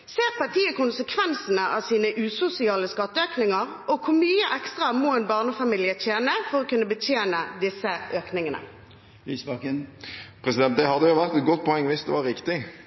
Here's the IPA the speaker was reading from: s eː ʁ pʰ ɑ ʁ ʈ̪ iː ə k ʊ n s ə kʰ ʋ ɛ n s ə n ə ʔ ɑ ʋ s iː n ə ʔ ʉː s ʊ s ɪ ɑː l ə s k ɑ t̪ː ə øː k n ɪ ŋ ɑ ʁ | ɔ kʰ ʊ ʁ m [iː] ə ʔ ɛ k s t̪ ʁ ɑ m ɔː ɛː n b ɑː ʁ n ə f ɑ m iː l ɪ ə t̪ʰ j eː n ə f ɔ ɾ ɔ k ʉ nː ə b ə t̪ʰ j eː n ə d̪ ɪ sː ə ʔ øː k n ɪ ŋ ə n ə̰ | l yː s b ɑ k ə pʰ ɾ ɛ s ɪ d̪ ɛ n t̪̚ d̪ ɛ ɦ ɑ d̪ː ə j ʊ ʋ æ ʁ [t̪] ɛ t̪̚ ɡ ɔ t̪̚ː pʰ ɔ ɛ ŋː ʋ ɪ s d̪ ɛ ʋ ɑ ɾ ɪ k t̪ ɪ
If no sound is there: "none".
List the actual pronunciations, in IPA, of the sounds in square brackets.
yː, t̪

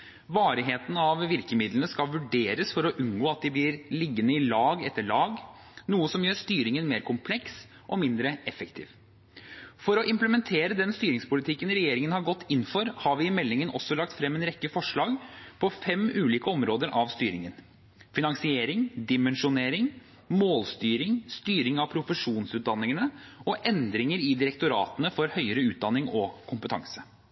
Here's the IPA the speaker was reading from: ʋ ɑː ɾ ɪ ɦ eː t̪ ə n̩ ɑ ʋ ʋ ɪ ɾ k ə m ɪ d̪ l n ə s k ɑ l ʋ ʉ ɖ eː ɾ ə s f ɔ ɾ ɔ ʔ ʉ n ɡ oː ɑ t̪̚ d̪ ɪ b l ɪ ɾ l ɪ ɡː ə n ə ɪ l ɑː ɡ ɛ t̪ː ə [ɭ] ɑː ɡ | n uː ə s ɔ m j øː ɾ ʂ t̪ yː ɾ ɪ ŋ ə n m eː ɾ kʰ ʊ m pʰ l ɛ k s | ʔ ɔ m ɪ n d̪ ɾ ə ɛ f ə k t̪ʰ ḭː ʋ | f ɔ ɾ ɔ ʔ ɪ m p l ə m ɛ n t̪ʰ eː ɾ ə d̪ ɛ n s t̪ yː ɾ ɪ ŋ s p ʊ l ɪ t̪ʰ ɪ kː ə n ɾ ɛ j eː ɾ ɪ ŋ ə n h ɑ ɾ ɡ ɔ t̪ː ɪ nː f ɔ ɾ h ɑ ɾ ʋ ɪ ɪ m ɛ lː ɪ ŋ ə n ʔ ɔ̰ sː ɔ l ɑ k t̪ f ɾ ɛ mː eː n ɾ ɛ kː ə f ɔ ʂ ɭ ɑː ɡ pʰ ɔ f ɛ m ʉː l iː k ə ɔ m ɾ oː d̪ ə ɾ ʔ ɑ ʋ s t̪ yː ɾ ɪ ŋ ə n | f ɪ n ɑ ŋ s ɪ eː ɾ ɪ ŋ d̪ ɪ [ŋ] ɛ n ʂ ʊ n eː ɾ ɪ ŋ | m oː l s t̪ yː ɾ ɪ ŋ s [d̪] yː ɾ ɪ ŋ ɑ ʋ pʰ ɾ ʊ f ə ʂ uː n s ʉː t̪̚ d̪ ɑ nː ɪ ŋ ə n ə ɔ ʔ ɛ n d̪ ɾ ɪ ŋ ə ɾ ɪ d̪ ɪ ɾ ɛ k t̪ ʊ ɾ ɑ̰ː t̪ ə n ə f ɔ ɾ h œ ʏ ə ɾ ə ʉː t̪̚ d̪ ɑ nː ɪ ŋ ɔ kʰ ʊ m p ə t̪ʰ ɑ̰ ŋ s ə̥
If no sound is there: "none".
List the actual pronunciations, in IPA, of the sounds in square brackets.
ɭ, m, t̪

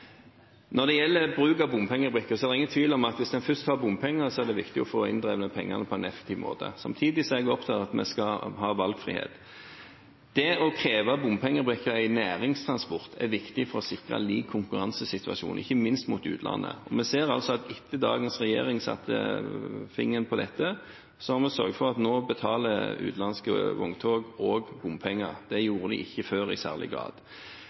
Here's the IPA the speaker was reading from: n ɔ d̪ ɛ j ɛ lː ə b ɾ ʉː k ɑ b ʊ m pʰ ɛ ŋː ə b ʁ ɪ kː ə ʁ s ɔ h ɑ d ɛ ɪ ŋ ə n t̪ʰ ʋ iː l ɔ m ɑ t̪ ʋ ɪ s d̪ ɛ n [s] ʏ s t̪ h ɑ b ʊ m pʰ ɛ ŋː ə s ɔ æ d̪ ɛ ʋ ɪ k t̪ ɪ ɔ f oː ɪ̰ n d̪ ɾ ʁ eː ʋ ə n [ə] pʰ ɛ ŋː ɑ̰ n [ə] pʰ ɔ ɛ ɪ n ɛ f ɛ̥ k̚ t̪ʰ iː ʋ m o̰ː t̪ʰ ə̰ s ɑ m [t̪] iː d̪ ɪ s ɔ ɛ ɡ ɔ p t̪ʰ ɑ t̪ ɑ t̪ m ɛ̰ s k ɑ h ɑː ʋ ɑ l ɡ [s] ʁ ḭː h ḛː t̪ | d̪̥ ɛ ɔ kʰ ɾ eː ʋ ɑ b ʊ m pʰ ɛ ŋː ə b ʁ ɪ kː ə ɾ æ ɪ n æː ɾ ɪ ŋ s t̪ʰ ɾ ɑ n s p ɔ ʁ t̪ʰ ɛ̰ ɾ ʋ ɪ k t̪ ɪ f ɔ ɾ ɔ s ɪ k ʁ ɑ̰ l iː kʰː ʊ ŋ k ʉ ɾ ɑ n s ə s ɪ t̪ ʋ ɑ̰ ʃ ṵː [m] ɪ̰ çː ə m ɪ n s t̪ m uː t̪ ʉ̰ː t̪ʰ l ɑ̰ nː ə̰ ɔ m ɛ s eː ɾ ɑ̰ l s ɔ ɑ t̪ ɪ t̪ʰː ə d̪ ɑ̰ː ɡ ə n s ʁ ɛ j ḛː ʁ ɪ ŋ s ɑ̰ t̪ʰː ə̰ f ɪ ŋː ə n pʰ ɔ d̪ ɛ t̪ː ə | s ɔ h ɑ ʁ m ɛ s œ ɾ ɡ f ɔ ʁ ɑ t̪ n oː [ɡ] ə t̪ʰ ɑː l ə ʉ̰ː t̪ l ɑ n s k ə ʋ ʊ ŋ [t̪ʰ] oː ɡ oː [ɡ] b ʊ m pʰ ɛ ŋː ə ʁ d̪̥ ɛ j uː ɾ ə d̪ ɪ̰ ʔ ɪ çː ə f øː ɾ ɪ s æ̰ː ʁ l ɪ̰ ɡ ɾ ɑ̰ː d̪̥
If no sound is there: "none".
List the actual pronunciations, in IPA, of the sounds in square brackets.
f, ə, ə, t̪ʰ, f, n, b, t̪ʰ, ɡ

